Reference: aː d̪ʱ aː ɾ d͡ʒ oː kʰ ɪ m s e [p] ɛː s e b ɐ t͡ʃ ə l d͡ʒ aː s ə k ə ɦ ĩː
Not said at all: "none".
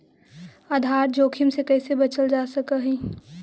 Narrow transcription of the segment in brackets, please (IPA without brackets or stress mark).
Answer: k